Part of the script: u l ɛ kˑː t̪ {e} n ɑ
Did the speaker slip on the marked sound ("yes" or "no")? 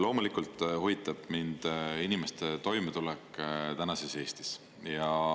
yes